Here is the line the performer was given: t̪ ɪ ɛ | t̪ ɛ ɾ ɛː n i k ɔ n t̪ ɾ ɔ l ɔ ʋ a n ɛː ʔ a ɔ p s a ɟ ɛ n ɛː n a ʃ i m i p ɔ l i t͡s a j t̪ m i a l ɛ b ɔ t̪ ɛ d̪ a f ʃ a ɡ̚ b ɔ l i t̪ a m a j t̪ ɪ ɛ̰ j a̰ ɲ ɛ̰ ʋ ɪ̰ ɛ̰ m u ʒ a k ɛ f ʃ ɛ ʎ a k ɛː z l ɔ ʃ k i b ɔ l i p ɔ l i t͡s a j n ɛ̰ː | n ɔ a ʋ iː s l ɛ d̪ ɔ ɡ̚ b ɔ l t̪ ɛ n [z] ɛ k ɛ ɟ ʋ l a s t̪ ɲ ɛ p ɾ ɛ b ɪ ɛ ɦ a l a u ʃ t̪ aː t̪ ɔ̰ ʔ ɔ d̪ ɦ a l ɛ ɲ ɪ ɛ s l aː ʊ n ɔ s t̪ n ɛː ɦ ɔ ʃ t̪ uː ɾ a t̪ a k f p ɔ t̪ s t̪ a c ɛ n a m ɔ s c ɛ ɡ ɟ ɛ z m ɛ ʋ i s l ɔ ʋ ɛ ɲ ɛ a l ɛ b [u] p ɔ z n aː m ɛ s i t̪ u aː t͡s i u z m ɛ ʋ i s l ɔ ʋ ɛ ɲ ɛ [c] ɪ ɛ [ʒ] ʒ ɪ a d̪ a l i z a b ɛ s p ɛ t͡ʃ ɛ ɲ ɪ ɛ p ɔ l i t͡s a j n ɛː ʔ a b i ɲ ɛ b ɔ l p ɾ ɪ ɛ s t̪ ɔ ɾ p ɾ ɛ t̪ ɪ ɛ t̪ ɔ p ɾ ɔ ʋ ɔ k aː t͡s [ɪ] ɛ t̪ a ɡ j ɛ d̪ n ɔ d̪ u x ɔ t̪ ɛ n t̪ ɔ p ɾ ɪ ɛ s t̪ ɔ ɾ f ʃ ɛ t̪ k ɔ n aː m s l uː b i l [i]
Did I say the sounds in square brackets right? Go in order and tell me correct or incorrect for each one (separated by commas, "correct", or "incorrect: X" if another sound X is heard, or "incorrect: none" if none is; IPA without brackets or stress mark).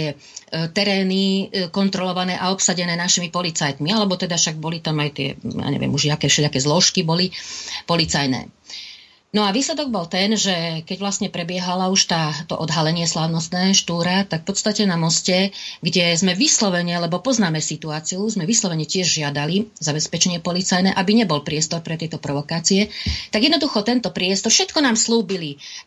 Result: incorrect: ʒ, incorrect: ɔ, correct, correct, incorrect: i, correct